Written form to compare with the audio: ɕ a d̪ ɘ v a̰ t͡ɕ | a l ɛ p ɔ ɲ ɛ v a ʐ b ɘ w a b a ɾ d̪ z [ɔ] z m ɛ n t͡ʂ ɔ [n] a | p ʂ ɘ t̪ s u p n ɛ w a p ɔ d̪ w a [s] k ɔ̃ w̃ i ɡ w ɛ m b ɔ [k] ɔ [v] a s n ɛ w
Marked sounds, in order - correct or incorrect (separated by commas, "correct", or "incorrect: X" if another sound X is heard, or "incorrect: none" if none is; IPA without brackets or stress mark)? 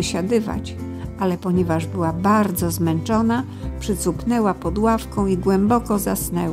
correct, correct, incorrect: f, correct, incorrect: z